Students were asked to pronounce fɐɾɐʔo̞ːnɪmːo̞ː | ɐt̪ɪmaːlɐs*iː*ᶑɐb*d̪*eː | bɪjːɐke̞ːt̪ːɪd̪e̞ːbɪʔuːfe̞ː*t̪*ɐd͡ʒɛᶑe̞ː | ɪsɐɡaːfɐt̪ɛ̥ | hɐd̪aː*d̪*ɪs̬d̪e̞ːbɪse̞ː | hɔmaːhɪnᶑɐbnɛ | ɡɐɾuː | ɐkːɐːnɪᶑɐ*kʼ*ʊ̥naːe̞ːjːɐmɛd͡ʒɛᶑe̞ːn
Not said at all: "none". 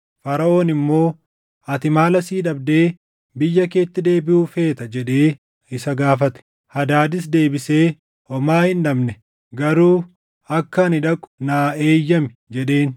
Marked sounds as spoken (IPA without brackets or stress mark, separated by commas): iː, d̪, t̪, d̪, kʼ